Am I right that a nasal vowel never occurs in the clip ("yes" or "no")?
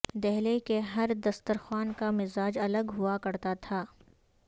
yes